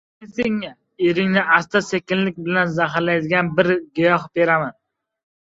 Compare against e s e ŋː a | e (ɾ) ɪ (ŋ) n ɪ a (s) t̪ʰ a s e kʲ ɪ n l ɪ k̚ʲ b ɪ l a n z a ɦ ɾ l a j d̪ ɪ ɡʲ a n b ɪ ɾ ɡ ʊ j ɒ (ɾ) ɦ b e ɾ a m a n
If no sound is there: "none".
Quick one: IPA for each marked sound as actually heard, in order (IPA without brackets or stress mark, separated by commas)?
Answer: ɾ, ŋ, s, none